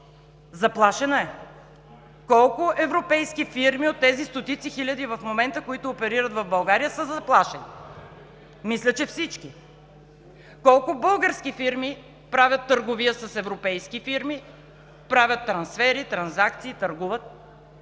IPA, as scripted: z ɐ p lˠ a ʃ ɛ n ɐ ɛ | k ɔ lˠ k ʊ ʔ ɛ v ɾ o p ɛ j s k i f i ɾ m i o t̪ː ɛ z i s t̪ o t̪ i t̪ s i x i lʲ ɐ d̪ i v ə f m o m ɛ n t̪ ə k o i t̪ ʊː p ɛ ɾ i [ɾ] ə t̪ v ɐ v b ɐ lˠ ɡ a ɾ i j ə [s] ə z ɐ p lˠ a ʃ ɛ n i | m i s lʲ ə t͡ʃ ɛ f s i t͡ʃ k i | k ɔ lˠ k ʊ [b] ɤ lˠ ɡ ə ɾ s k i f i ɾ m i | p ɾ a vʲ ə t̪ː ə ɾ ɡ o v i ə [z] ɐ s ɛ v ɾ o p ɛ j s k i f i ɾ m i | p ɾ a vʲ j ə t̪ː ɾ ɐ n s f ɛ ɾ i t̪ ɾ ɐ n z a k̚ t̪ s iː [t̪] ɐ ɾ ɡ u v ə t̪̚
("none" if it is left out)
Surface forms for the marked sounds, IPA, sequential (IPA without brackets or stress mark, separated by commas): ɾ, s, b, s, t̪